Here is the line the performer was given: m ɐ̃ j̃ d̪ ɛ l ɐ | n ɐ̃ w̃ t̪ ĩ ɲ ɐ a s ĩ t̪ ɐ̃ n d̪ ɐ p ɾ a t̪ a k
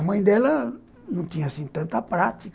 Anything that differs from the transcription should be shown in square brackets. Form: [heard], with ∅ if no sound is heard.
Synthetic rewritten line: m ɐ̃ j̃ d̪ ɛ l ɐ | n ɐ̃ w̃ t̪ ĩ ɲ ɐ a s ĩ t̪ ɐ̃ n [t̪] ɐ p ɾ a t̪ [i] k